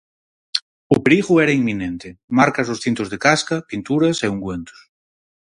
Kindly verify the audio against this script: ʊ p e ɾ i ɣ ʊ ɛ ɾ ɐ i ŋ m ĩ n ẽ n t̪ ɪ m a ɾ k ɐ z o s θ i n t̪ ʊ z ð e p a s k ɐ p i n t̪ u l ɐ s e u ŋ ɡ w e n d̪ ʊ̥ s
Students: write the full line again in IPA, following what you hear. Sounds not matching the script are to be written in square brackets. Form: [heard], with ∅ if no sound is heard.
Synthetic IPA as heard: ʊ p e ɾ i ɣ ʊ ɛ ɾ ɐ i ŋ m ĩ n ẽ n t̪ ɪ m a ɾ k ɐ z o s θ i n t̪ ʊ z ð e [k] a s k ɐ p i n t̪ u [ɾ] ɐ s e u ŋ ɡ w e n [t̪] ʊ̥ s